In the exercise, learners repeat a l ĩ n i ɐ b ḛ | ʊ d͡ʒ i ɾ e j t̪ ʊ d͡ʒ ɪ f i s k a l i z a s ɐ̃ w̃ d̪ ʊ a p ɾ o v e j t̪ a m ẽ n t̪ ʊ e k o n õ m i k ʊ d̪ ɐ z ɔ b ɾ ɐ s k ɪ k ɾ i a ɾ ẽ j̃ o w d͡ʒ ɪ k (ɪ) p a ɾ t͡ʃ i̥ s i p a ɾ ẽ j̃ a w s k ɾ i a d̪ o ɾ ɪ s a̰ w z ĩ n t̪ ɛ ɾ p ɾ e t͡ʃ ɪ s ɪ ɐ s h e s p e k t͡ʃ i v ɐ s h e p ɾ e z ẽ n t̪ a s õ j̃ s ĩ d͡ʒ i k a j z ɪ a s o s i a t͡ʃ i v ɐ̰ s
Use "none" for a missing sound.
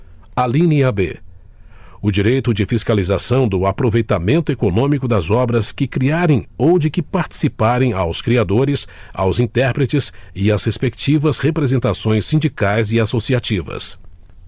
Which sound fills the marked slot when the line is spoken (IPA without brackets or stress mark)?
ɪ